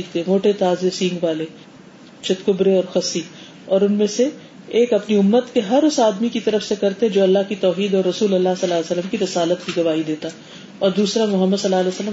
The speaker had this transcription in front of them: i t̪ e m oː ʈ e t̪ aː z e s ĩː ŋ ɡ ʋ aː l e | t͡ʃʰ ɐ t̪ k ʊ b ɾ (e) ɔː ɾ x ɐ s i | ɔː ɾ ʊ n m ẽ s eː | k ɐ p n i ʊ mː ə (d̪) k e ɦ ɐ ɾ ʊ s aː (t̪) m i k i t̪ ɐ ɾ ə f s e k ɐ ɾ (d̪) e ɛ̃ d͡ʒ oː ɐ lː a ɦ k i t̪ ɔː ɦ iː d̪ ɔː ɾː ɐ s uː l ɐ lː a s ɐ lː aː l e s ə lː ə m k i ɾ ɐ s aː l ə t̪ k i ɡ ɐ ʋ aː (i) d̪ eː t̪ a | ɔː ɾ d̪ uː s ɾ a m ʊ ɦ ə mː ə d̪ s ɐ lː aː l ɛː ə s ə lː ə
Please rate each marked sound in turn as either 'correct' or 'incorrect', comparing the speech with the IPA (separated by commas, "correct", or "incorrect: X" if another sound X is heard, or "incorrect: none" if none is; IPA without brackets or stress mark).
correct, incorrect: t̪, incorrect: d̪, incorrect: t̪, correct